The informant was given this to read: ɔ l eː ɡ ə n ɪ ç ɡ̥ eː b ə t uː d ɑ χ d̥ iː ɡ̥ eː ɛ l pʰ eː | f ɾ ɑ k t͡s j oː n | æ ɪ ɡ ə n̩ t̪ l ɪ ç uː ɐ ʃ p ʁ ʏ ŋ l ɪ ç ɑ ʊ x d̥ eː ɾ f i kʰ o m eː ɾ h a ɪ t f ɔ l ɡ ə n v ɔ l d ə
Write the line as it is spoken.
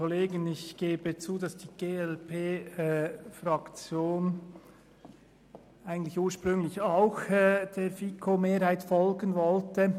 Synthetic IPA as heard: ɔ l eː ɡ ə n ɪ ç ɡ̥ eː b ə t͡s uː d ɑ s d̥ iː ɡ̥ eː ɛ l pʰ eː | f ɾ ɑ k t͡s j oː n | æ ɪ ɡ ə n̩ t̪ l ɪ ç uː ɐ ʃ p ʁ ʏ ŋ l ɪ ç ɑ ʊ x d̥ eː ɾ f i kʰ o m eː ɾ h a ɪ t f ɔ l ɡ ə n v ɔ l t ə